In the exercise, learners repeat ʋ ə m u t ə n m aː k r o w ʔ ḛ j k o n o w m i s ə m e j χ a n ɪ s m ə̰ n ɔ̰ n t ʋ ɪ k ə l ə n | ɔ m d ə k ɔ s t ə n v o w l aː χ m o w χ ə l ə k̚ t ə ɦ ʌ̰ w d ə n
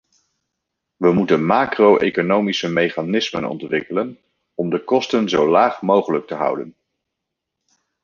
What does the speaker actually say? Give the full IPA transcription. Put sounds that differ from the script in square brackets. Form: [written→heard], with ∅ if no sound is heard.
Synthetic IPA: ʋ ə m u t ə n m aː k r o w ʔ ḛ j k o n o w m i s ə m e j χ a n ɪ s m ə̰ n ɔ̰ n t ʋ ɪ k ə l ə n | ɔ m d ə k ɔ s t ə n [v→z] o w l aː χ m o w χ ə l ə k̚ t ə ɦ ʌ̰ w d ə n

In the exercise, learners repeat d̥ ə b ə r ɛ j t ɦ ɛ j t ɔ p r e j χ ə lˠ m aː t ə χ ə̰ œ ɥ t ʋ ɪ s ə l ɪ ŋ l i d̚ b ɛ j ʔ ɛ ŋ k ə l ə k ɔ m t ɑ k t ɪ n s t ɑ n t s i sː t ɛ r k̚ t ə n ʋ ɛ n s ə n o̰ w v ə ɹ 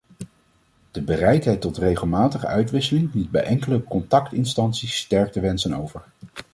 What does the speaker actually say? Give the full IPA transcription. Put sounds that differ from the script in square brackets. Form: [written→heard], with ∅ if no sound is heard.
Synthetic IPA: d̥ ə b ə r ɛ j t ɦ ɛ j t ɔ [p→t] r e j χ ə lˠ m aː t ə χ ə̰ œ ɥ t ʋ ɪ s ə l ɪ ŋ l i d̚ b ɛ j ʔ ɛ ŋ k ə l ə k ɔ [m→n] t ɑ k t ɪ n s t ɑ n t s i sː t ɛ [r→ɹ] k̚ t ə [n→∅] ʋ ɛ n s ə n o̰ w v ə ɹ

